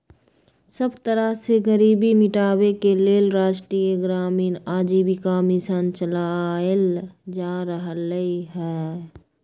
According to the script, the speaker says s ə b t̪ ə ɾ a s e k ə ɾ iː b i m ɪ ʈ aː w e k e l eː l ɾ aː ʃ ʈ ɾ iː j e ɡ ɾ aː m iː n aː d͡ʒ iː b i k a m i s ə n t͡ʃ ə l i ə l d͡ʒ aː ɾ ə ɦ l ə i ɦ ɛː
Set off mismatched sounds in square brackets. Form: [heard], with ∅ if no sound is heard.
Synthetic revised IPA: s ə b t̪ ə ɾ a s e [ɡ] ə ɾ iː b i m ɪ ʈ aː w e k e l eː l ɾ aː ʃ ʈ ɾ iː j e ɡ ɾ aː m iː n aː d͡ʒ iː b i k a m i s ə n t͡ʃ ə l [a] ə l d͡ʒ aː ɾ ə ɦ l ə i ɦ ɛː